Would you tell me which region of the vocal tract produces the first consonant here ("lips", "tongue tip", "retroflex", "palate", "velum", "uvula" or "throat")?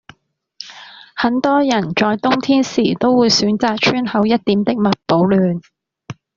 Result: throat